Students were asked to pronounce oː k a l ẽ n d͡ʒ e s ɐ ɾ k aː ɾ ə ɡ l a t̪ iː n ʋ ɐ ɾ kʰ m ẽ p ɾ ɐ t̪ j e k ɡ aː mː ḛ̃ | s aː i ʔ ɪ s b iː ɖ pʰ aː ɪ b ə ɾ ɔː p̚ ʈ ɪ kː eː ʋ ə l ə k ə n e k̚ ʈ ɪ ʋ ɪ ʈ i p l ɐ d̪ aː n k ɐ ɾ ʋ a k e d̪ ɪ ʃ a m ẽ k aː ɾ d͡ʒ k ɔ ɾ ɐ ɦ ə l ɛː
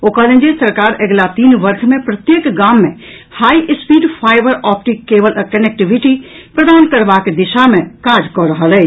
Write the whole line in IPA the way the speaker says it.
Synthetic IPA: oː k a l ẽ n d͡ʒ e s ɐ ɾ k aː ɾ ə ɡ l a t̪ iː n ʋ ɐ ɾ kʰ m ẽ p ɾ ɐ t̪ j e k ɡ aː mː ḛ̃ | h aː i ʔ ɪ s p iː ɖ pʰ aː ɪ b ə ɾ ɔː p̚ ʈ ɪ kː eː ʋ ə l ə k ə n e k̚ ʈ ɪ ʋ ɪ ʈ i p ɾ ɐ d̪ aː n k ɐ ɾ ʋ a k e d̪ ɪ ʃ a m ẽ k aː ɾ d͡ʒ k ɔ ɾ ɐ ɦ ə l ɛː